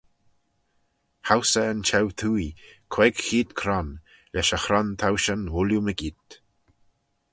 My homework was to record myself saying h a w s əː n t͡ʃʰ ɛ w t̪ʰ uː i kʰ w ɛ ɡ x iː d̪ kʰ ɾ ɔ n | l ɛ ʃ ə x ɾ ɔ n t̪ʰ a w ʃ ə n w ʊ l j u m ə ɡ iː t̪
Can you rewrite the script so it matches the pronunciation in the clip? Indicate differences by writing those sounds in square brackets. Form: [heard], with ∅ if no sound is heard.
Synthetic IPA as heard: h a w s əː n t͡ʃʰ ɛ w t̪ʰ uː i kʰ w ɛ ɡ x iː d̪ kʰ ɾ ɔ n | l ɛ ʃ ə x ɾ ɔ n t̪ʰ a w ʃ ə n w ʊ l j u m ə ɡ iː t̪